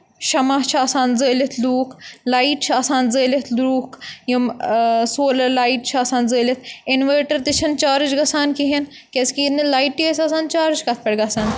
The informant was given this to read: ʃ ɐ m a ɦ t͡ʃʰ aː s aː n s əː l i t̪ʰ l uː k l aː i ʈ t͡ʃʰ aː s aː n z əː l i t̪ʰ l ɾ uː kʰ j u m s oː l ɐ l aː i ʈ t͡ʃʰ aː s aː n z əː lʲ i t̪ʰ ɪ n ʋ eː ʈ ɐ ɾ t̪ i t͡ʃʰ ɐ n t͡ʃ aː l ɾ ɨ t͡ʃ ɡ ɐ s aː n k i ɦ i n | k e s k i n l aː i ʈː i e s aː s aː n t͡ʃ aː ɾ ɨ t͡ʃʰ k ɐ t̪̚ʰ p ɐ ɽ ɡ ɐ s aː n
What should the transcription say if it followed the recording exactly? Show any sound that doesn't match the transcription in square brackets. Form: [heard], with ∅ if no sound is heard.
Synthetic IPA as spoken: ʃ ɐ m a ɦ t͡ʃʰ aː s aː n [z] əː l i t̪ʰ l uː k l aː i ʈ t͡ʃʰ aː s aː n z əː l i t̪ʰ l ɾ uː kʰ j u m s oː l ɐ l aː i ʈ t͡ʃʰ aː s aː n z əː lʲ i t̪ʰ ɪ n ʋ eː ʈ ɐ ɾ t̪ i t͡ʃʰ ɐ n t͡ʃ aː [∅] ɾ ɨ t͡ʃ ɡ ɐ s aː n k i ɦ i n | k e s k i n l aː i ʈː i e s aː s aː n t͡ʃ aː ɾ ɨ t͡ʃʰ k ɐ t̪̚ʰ p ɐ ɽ ɡ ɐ s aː n